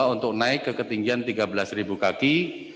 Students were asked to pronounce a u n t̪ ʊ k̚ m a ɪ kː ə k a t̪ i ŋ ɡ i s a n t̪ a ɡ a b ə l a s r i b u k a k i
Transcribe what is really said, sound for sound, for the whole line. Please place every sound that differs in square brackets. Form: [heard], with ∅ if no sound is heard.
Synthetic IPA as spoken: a u n t̪ ʊ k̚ [n] a ɪ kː ə k [ə] t̪ i ŋ ɡ i [∅] a n t̪ [i] ɡ a b ə l a s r i b u k a k i